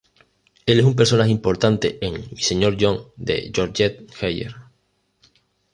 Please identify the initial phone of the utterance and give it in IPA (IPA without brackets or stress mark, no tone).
e